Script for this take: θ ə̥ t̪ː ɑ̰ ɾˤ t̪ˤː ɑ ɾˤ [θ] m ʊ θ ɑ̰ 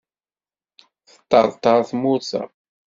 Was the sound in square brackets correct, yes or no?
yes